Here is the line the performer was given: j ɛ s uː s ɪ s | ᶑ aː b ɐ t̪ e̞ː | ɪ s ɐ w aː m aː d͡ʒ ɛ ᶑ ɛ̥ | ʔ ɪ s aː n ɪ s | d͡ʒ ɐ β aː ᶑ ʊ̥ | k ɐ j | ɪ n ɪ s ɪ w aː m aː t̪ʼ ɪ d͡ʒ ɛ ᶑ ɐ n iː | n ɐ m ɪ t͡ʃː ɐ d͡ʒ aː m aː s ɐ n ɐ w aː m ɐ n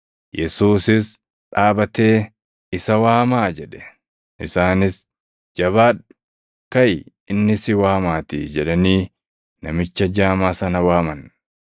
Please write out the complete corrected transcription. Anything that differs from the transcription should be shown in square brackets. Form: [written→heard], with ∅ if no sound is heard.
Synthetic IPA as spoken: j ɛ s uː s ɪ s | ᶑ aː b ɐ t̪ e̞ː | ɪ s ɐ w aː m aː d͡ʒ ɛ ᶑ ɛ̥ | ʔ ɪ s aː n ɪ s | d͡ʒ ɐ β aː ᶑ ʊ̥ | k ɐ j | ɪ [n→nː] ɪ s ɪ w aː m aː [t̪ʼ→t̪] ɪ d͡ʒ ɛ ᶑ ɐ n iː | n ɐ m ɪ t͡ʃː ɐ d͡ʒ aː m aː s ɐ n ɐ w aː m ɐ n